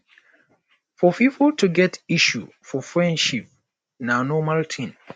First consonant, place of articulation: labial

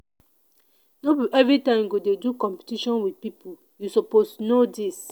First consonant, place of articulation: alveolar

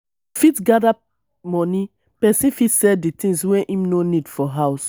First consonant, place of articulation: labial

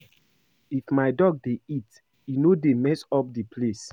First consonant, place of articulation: labial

